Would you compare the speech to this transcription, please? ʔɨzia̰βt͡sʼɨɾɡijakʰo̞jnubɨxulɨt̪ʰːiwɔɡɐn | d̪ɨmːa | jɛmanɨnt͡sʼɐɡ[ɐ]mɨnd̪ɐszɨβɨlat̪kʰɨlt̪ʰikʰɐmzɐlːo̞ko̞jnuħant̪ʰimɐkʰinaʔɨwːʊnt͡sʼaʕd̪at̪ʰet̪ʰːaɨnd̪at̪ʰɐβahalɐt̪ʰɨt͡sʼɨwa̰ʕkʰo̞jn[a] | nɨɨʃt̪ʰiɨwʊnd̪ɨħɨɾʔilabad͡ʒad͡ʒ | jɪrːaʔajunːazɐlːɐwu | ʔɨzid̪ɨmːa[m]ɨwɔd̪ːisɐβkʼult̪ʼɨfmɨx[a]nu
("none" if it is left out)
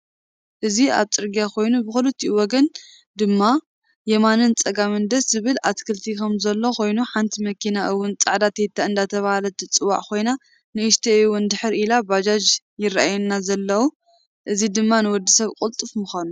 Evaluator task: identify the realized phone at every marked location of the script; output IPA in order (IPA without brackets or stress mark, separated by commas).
a, a, n, a